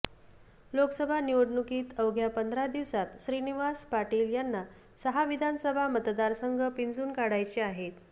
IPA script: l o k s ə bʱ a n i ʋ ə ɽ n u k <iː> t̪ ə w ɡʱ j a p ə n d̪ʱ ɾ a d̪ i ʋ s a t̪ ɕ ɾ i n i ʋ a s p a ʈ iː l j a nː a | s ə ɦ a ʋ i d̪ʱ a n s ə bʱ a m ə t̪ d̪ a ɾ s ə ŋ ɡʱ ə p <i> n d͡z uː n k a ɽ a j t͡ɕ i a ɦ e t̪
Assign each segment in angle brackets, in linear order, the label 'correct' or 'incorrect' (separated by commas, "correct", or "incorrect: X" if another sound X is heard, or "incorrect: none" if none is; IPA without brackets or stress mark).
correct, correct